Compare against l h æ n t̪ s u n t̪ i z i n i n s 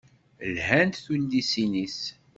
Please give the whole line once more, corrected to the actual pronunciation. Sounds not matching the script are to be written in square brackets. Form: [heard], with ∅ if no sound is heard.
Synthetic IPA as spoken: l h æ n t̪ [θ] u n [d̪] i [s] i n i [∅] s